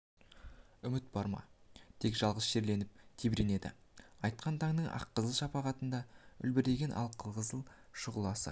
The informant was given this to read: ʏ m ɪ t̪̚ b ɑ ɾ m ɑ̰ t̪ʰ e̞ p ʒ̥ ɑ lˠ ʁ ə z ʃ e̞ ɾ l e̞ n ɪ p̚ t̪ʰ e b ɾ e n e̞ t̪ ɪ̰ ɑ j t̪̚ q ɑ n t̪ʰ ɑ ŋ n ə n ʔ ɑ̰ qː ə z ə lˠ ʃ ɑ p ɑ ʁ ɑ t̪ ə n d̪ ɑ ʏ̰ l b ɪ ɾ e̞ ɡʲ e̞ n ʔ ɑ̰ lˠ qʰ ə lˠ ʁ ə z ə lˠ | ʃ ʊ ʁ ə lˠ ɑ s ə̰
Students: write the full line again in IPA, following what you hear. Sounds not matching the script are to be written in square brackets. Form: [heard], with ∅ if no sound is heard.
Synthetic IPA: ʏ m ɪ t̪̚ b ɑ ɾ m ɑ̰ t̪ʰ e̞ [k] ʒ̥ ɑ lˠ ʁ ə z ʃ e̞ ɾ l e̞ n ɪ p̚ t̪ʰ e b ɾ e n e̞ [d̪] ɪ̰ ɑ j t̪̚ q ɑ n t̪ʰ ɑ ŋ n ə [ɴ] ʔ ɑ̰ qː ə z ə lˠ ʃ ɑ p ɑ ʁ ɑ t̪ ə n d̪ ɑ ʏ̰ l b ɪ ɾ e̞ ɡʲ e̞ n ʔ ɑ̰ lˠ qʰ ə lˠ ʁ ə z ə lˠ | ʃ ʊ ʁ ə lˠ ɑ s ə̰